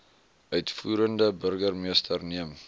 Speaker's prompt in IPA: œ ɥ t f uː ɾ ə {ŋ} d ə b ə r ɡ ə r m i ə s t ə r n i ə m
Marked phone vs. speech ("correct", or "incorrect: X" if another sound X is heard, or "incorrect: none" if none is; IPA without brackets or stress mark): incorrect: n